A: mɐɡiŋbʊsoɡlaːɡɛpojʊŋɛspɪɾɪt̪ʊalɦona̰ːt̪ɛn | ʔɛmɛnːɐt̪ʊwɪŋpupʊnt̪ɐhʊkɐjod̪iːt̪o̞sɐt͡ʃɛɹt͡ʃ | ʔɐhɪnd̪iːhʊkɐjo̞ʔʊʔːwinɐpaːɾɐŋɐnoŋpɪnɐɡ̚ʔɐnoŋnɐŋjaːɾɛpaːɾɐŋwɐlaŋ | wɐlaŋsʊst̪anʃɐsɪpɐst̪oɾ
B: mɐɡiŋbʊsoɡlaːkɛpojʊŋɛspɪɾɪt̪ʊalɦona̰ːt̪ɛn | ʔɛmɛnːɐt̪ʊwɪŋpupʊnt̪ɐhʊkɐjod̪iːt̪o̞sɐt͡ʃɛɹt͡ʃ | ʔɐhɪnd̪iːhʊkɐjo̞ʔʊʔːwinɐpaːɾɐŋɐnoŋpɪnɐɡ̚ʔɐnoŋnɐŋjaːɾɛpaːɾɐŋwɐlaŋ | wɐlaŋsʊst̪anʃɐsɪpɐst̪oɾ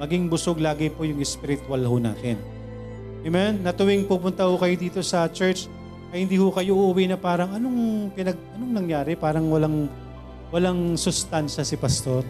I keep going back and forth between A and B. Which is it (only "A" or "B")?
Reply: A